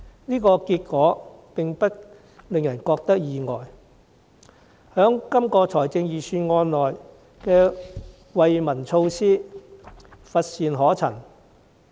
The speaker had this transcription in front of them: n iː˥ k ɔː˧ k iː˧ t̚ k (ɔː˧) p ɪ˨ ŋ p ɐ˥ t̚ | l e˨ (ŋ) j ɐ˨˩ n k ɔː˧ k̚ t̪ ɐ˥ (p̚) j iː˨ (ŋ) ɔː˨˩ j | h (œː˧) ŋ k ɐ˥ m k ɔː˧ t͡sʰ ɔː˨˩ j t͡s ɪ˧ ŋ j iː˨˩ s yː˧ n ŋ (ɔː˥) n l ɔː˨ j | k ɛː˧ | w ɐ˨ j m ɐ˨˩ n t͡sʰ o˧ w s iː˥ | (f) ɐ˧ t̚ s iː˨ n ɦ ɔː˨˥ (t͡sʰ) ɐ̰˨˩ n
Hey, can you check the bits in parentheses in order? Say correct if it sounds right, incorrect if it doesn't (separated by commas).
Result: incorrect, correct, incorrect, correct, incorrect, incorrect, correct, correct